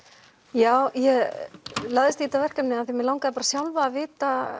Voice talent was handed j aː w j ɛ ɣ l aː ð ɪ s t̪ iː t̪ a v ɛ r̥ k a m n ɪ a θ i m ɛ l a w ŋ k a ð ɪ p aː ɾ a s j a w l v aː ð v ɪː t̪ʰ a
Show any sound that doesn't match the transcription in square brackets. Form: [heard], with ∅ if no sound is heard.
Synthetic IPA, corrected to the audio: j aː w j ɛ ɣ l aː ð ɪ s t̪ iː t̪ a v ɛ r̥ k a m n ɪ a θ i m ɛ l a w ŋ k a ð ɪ p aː ɾ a s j a w l v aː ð v ɪː [t̪] a